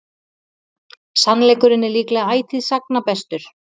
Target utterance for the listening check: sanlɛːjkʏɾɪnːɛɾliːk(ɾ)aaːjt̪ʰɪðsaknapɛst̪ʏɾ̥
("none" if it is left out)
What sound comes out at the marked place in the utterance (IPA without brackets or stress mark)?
l